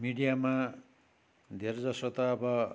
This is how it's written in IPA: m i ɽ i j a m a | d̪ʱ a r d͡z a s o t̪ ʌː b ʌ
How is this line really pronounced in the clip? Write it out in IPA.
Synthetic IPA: m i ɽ i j a m a | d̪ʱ e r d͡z ʌ s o t̪ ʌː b ʌ